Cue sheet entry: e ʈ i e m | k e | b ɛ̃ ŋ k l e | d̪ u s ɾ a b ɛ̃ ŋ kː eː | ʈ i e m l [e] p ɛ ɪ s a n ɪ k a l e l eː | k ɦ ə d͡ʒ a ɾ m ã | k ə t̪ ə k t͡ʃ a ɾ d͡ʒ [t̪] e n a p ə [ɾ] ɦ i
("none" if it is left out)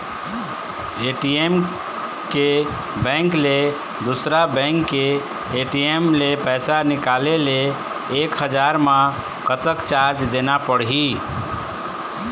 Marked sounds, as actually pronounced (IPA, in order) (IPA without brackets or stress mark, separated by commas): e, d̪, ɽ